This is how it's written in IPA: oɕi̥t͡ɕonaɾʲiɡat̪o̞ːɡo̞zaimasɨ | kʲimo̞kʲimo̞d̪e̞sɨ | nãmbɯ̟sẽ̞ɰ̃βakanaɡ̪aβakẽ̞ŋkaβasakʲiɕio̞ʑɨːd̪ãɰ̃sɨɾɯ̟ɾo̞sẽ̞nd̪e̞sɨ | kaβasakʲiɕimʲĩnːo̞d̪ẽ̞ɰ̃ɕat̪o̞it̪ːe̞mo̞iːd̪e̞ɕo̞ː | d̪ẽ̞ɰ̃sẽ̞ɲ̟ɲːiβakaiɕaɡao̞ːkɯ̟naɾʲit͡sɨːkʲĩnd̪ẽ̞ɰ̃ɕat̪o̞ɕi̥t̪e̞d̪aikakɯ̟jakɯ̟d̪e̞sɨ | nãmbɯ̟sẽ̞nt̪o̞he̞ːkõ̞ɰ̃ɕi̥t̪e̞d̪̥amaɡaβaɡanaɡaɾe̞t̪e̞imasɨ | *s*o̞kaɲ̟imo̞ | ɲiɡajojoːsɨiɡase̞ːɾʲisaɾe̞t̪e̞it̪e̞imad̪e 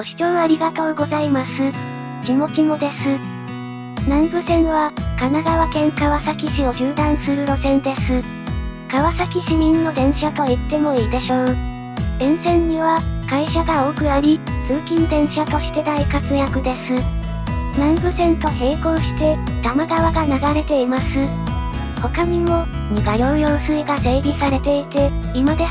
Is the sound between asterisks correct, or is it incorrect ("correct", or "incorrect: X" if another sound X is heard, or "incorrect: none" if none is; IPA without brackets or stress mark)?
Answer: incorrect: h